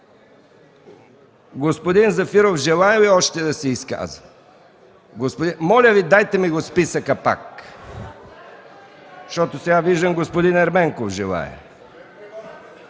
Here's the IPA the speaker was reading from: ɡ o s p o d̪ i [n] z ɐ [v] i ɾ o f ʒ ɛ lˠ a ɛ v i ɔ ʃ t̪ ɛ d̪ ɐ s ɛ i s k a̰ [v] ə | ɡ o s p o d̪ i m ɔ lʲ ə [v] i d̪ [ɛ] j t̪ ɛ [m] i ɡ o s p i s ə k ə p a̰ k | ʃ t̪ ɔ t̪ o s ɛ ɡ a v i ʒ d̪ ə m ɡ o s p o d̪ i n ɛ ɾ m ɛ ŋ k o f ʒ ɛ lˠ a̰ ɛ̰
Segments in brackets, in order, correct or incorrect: correct, incorrect: f, incorrect: z, correct, incorrect: a, correct

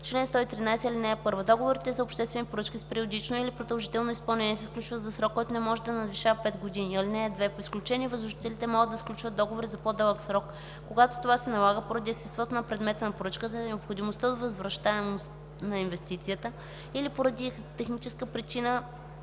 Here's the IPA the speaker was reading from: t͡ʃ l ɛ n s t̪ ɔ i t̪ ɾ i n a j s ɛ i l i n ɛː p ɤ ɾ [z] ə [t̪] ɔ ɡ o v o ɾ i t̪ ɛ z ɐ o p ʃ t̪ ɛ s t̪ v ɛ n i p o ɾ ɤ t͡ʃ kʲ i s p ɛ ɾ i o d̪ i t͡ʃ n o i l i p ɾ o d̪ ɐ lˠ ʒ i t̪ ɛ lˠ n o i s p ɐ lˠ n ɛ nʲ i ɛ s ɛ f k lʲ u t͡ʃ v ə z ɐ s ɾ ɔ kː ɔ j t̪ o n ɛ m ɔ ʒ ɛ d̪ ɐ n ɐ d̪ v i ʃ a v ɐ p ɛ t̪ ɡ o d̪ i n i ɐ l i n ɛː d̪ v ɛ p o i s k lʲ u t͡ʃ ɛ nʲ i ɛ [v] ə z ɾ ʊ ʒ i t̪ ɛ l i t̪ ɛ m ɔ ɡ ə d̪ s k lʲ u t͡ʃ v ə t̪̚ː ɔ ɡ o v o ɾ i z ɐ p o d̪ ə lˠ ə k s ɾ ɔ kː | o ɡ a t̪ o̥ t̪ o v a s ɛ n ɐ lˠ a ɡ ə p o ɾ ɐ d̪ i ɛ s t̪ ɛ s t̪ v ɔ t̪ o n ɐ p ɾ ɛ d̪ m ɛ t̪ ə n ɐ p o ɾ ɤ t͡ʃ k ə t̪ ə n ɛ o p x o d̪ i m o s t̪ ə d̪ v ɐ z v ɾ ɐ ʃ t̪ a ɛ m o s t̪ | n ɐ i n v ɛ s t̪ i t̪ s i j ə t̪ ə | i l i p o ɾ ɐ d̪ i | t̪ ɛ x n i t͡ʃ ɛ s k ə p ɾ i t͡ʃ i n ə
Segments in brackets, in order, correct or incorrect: incorrect: v, incorrect: d̪, correct

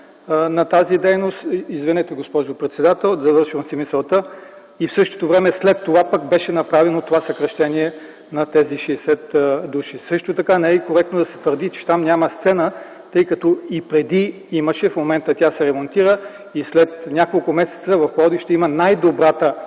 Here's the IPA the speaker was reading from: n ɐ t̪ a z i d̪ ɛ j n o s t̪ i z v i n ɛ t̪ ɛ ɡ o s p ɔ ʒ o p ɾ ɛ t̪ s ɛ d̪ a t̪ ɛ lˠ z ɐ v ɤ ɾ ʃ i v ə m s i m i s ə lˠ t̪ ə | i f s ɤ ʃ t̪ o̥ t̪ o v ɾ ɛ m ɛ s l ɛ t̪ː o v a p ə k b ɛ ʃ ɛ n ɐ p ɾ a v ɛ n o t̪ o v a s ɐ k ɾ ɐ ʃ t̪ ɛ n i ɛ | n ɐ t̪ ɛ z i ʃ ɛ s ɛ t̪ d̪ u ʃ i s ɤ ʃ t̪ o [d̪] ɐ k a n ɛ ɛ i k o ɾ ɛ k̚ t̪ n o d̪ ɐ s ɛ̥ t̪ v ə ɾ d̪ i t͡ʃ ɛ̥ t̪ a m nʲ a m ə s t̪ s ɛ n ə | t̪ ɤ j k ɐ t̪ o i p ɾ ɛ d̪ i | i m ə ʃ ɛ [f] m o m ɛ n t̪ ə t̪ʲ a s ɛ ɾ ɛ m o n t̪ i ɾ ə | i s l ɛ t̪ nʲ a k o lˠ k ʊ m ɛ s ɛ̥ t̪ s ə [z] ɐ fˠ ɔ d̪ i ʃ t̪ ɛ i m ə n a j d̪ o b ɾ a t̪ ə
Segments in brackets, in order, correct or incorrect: incorrect: t̪, correct, incorrect: v

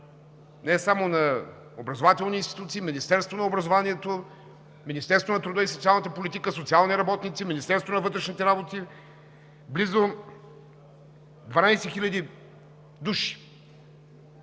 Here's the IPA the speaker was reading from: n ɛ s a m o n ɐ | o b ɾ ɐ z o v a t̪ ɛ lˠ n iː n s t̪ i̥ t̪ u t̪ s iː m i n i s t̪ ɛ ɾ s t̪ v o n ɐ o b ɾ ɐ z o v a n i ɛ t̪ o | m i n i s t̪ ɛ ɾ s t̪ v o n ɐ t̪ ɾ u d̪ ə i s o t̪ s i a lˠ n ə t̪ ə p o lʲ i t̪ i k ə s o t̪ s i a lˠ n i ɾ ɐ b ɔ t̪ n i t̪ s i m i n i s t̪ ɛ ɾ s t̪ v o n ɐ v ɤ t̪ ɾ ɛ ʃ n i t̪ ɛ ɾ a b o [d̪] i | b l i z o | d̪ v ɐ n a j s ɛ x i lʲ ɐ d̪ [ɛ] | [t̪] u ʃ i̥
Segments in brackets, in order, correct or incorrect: incorrect: t̪, incorrect: i, incorrect: d̪

